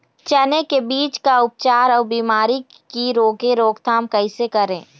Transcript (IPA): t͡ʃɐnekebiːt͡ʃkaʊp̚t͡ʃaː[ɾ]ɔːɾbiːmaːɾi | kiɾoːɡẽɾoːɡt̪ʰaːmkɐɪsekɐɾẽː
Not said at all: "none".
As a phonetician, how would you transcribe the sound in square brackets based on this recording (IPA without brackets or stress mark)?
ɾ